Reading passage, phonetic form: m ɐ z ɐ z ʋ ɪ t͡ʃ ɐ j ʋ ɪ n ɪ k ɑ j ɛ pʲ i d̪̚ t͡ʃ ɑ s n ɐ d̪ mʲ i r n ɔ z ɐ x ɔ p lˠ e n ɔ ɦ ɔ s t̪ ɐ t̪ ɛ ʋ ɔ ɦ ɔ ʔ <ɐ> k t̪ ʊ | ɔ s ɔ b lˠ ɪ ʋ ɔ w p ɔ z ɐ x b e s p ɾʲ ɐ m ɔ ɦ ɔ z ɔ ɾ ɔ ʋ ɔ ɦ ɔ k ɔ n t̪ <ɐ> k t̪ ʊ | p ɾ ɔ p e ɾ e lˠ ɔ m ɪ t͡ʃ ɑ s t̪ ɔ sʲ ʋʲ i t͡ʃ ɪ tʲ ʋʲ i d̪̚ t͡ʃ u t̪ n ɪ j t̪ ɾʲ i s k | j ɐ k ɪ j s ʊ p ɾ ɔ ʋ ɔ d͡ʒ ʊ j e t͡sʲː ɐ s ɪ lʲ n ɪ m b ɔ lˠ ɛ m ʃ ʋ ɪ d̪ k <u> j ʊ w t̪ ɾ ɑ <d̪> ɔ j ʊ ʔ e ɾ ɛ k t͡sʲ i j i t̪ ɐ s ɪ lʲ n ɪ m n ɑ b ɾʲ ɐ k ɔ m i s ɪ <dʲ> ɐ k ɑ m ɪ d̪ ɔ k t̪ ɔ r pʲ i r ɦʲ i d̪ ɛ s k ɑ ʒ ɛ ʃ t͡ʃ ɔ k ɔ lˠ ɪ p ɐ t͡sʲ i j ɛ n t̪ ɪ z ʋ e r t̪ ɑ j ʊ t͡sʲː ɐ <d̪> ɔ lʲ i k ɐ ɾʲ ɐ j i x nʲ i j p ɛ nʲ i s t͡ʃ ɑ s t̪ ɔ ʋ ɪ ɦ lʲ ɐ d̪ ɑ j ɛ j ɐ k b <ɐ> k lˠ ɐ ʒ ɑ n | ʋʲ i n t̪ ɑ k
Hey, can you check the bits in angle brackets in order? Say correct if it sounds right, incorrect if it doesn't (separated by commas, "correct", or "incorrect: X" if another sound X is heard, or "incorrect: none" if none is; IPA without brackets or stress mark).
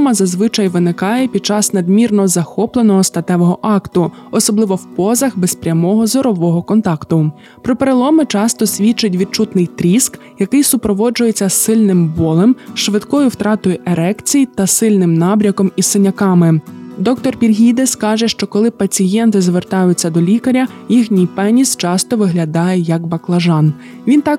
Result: incorrect: ɑ, incorrect: ɑ, incorrect: ɔ, incorrect: t̪, incorrect: nʲ, correct, correct